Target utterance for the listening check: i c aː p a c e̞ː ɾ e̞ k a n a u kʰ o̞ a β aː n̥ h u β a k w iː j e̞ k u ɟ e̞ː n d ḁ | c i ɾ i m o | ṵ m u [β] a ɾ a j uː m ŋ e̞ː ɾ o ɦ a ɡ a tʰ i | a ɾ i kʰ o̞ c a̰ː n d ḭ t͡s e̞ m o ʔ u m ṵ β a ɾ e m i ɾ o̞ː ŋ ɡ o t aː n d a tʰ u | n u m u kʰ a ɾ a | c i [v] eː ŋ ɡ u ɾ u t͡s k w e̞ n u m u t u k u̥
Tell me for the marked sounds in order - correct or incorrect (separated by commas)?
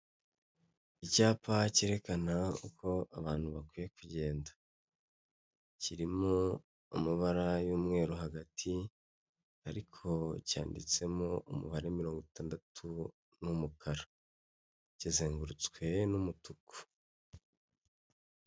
correct, incorrect